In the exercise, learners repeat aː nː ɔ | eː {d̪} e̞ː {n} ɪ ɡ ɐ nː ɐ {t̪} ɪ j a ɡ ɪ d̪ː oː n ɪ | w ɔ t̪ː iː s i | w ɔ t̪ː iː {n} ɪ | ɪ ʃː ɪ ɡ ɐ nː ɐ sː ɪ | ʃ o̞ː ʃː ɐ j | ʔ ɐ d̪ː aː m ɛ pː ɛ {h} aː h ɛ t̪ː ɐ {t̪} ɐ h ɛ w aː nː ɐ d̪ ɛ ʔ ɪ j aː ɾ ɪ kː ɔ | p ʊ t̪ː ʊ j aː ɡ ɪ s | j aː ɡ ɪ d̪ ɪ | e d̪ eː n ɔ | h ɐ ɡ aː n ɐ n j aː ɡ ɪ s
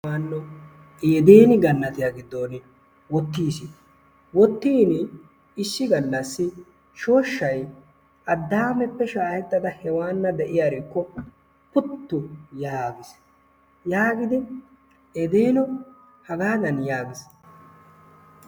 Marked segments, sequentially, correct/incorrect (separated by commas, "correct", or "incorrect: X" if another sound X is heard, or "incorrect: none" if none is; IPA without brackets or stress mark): correct, correct, correct, correct, incorrect: ʃ, incorrect: d̪